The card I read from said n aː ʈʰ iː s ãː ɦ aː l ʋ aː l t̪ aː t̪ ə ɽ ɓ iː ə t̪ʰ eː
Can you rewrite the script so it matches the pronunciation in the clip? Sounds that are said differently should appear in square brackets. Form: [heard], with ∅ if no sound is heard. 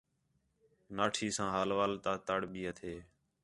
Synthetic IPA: n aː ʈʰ iː s ãː ɦ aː l ʋ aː l t̪ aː t̪ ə ɽ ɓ iː ə t̪ʰ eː